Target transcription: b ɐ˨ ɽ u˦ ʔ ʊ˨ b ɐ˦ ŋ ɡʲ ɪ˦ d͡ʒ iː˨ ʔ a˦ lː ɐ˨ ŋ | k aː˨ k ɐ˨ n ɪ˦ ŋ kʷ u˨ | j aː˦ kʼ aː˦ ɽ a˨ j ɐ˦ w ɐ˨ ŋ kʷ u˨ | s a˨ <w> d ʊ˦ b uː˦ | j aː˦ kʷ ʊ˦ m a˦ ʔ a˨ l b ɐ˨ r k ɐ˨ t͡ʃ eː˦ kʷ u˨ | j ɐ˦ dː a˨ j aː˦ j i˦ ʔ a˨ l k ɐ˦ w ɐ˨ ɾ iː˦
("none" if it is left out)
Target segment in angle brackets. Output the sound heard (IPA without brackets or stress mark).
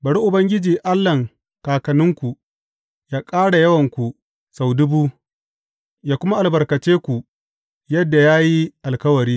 w